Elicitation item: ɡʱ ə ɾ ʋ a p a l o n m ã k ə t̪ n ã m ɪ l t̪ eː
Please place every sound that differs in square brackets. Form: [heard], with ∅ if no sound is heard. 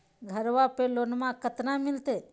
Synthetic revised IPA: ɡʱ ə ɾ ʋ a p [e] l o n m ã k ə t̪ n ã m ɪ l t̪ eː